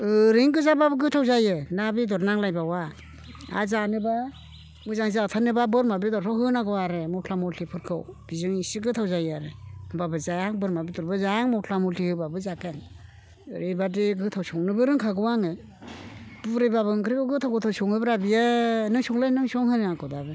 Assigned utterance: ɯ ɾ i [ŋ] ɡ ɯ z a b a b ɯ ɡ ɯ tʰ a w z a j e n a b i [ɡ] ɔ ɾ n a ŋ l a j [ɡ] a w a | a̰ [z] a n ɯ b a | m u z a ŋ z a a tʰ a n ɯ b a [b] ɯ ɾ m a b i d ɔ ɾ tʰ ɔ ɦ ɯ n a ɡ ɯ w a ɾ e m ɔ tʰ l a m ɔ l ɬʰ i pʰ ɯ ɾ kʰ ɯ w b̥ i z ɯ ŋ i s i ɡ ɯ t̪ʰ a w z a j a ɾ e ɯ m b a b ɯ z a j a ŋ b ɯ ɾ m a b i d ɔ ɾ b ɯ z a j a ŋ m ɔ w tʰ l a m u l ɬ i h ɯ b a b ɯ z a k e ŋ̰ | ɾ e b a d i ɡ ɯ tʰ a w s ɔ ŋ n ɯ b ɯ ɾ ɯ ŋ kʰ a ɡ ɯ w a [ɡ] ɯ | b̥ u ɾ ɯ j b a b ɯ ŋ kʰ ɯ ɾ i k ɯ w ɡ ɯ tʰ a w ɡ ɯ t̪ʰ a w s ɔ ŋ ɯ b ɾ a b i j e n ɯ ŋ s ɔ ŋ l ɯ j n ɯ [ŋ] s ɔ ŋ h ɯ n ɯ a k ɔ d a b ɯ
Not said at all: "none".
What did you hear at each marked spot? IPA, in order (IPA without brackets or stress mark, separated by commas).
ŋ, d, b, z, b, ŋ, ŋ